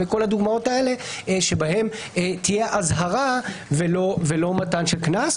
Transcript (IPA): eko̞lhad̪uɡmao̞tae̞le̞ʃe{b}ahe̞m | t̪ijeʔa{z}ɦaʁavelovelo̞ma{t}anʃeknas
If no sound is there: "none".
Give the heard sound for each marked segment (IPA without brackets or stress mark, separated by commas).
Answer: b, z, t